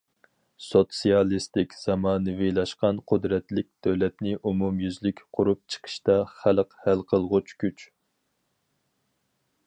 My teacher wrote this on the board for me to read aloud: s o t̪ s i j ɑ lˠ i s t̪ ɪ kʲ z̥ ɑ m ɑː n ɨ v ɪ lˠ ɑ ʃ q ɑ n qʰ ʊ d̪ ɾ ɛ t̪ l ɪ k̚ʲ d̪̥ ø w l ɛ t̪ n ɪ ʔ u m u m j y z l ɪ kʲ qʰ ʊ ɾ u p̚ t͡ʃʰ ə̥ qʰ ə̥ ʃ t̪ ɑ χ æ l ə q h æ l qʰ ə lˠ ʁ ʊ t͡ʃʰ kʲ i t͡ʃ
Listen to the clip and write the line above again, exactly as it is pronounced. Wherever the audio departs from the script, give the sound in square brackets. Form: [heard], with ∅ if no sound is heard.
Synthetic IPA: s o t̪ s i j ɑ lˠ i s t̪ ɪ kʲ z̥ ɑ m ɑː n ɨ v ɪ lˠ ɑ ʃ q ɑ n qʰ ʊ d̪ ɾ ɛ t̪ l ɪ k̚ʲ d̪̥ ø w l ɛ t̪ n ɪ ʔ u m u m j y z l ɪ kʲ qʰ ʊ ɾ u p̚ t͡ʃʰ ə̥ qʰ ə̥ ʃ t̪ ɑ χ æ l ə q h æ l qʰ ə lˠ ʁ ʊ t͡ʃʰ kʲ [y] t͡ʃ